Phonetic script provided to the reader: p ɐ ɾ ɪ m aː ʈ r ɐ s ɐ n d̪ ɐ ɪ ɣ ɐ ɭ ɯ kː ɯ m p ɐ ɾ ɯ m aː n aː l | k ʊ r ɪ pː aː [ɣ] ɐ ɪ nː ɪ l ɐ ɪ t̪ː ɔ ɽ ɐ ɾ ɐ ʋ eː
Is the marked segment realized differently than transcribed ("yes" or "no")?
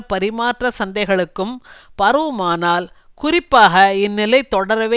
no